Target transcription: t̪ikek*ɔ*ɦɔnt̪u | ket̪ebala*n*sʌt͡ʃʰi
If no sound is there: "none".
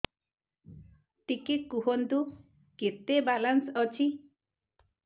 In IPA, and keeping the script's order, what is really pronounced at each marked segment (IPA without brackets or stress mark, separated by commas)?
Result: u, n